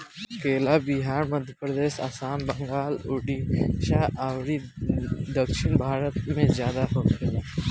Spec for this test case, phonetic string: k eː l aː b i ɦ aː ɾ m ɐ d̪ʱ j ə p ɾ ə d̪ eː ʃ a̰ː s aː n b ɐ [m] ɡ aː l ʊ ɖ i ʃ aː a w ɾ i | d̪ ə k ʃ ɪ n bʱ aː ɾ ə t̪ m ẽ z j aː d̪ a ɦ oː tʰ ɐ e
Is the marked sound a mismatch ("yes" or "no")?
yes